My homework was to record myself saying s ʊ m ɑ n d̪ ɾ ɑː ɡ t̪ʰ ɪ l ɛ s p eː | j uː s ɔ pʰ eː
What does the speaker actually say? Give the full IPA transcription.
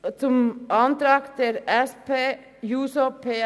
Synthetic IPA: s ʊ m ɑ n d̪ ɾ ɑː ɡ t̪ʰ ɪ l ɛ s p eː | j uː s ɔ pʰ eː

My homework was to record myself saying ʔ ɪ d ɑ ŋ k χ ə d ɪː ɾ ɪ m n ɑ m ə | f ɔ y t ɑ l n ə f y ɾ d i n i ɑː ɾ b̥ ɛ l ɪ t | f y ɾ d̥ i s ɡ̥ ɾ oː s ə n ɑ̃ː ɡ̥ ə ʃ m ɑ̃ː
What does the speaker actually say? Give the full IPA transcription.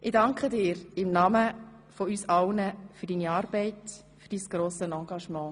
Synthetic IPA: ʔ ɪ d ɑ ŋ k χ ə d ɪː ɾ ɪ m n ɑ m ə | f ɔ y s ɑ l n ə f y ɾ d i n i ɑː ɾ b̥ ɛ ɪ t | f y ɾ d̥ i s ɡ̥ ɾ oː s ə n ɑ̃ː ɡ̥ ɑ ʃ m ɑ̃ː

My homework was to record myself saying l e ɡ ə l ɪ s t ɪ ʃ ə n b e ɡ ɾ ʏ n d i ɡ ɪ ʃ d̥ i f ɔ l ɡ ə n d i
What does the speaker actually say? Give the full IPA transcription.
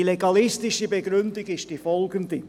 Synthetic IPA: l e ɡ ɑ l ɪ s t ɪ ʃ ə b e ɡ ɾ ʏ n d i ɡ ɪ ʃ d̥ i f ɔ l ɡ ə n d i

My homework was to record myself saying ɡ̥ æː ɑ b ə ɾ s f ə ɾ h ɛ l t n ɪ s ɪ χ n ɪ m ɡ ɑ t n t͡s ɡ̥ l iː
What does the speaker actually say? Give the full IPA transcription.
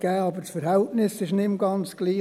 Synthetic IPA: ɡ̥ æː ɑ b ə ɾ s f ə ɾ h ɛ l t n ɪ s ɪ ʃ n ɪ m ɡ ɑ n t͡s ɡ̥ l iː

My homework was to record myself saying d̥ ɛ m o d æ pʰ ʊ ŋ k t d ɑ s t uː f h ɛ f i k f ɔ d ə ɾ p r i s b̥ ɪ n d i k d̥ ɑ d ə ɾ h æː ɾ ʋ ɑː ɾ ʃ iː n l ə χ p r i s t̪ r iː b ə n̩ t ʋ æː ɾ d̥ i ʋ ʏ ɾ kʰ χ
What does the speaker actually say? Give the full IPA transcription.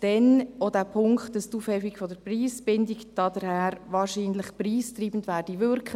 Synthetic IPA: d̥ ɛ n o d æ pʰ ʊ ŋ k t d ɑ s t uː f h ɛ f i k f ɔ d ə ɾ p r iː s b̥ ɪ n d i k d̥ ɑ d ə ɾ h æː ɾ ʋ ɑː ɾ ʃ iː n l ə χ p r iː s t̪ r iː b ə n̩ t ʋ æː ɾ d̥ i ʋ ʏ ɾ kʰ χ

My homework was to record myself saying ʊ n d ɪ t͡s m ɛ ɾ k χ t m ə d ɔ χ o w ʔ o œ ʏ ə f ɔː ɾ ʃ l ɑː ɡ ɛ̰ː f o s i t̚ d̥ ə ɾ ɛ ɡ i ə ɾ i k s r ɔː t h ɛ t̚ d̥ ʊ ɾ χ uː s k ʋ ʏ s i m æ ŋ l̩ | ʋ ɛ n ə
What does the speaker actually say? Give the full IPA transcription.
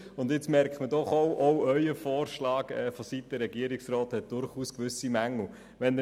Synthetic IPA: ʊ n d ɪ t͡s m ɛ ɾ k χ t m ə d ɔ χ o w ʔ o œ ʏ ə f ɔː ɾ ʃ l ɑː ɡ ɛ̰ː f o s i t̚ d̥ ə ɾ ɛ ɡ i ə ɾ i k s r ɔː t h ɛ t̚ d̥ ʊ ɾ χ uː s k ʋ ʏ s i m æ ŋ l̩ | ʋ ɛ n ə

